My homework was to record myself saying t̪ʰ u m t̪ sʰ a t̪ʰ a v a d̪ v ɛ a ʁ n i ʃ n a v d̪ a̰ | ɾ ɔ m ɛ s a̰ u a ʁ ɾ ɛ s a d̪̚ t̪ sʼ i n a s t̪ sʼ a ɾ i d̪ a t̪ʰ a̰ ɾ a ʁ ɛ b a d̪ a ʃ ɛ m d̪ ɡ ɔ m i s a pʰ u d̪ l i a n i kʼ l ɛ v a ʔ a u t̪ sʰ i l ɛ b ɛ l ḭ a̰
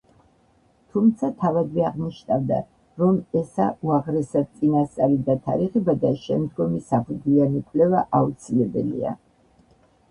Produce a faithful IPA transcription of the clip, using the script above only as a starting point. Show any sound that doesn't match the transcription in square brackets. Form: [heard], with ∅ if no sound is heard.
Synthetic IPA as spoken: t̪ʰ u m t̪ sʰ a t̪ʰ a v a d̪ v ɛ a ʁ n i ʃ n a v d̪ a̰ | ɾ ɔ m ɛ s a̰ u a ʁ ɾ ɛ s a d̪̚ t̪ sʼ i n a s t̪ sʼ a ɾ i d̪ a t̪ʰ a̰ ɾ [i] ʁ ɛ b a d̪ a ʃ ɛ m d̪ ɡ ɔ m i s a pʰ u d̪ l i a n i kʼ l ɛ v a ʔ a u t̪ sʰ i l ɛ b ɛ l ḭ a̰